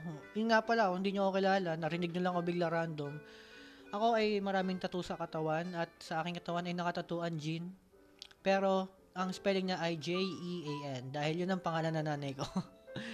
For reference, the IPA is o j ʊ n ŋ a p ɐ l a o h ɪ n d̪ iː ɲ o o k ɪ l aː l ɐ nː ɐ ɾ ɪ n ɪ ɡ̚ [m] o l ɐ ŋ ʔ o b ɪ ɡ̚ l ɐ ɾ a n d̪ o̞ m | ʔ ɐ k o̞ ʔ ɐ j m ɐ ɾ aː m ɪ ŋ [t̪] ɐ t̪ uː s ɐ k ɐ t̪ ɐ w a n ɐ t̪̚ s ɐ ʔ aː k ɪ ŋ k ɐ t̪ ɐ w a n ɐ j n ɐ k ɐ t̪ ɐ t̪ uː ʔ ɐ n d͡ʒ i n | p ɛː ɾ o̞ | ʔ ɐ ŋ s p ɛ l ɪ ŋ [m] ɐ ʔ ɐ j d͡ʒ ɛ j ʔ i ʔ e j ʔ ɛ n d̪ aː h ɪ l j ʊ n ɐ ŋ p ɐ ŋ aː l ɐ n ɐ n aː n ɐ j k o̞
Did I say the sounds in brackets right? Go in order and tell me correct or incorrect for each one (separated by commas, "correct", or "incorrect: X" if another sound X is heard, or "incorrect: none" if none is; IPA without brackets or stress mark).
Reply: incorrect: ɲ, correct, incorrect: ɲ